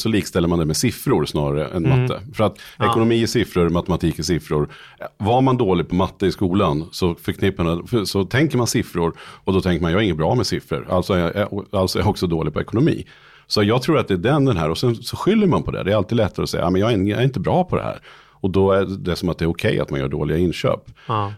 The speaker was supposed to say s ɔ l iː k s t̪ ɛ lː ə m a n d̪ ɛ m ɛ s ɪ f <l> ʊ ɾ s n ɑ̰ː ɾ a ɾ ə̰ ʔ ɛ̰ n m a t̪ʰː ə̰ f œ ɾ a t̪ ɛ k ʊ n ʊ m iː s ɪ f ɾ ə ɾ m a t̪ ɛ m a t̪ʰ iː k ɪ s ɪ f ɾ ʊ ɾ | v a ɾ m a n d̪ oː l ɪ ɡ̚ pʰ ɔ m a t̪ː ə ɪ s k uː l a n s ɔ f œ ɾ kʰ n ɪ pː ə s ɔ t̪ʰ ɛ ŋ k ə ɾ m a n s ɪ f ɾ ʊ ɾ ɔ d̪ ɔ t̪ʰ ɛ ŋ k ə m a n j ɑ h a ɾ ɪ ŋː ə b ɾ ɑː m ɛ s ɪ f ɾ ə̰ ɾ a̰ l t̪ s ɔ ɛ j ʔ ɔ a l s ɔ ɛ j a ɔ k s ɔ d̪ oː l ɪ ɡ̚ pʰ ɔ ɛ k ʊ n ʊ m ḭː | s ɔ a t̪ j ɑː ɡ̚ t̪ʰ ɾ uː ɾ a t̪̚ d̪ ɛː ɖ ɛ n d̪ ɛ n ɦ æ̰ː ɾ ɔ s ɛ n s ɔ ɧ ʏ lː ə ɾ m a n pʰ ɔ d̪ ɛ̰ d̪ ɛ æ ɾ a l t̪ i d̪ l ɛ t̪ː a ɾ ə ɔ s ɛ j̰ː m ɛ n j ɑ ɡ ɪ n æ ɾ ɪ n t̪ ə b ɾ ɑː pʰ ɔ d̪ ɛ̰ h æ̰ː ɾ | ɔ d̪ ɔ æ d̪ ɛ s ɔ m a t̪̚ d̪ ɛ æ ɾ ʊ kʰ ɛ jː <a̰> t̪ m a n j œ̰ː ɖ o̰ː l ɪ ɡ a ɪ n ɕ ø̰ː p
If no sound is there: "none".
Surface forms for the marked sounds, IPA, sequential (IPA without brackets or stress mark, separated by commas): ɾ, a̰